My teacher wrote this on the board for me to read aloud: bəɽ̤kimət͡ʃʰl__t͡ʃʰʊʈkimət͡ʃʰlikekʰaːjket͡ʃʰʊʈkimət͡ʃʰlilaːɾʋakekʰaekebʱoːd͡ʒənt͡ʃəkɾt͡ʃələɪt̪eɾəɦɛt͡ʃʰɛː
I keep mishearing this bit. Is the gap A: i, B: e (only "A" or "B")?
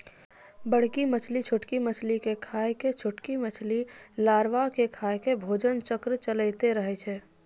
A